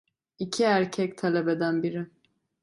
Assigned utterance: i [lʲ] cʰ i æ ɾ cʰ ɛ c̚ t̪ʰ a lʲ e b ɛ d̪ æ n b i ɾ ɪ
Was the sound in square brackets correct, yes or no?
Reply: no